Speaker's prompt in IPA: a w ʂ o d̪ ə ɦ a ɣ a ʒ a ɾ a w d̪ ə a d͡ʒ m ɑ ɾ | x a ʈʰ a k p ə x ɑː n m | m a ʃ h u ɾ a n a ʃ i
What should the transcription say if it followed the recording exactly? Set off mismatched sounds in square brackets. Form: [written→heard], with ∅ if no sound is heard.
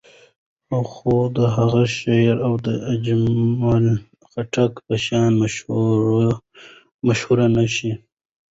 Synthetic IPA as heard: a w [ʂ→x] o d̪ ə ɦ a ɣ a [ʒ→ʃ] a ɾ a w d̪ ə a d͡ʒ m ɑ [ɾ→l] | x a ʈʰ a k p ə [x→ʃ] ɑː n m | m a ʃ h u ɾ a n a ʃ i